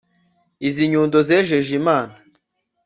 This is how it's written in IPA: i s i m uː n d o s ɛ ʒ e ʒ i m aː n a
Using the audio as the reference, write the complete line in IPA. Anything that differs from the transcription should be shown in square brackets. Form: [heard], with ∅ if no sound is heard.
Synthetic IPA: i [z] i [ɲ] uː n d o [z] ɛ ʒ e ʒ i m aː n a

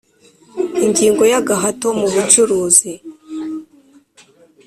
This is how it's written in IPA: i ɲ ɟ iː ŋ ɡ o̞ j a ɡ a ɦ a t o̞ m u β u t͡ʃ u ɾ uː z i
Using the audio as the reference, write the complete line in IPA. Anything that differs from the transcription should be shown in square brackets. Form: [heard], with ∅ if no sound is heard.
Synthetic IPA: i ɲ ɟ iː ŋ ɡ o̞ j a ɡ a ɦ a t o̞ m u β u t͡ʃ u ɾ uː z i

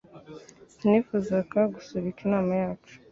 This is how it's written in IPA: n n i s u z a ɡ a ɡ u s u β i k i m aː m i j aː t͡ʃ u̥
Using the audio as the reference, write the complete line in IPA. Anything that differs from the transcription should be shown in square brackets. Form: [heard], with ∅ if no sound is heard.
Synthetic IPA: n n i [f] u z a [k] a ɡ u s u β i k i [n] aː m [a] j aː t͡ʃ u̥

